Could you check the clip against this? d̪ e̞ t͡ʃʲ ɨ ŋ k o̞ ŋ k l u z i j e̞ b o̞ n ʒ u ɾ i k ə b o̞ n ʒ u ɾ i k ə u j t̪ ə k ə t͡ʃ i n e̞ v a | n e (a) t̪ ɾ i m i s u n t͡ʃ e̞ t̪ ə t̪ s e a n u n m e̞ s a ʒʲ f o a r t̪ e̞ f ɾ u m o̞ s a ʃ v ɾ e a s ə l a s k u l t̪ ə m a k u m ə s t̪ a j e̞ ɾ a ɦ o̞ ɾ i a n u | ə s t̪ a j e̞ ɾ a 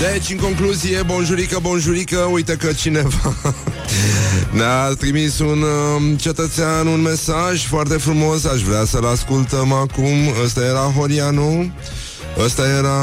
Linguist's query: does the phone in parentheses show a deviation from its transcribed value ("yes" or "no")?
no